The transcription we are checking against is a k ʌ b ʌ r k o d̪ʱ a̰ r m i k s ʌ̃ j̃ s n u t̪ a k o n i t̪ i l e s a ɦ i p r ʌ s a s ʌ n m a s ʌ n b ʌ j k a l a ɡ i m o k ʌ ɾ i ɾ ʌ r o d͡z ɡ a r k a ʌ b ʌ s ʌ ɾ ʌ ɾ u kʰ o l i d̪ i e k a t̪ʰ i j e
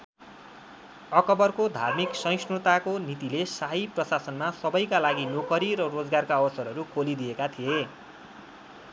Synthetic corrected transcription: ʌ k ʌ b ʌ r k o d̪ʱ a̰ r m i k s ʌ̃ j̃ s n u t̪ a k o n i t̪ i l e s a ɦ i p r ʌ s a s ʌ n m a s ʌ b ʌ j k a l a ɡ i n o k ʌ ɾ i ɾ ʌ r o d͡z ɡ a r k a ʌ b ʌ s ʌ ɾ ʌ ɾ u kʰ o l i d̪ i e k a t̪ʰ i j e